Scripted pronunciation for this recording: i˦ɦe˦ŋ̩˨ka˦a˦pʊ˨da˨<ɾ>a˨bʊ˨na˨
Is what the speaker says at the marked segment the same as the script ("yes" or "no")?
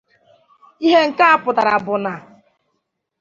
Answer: yes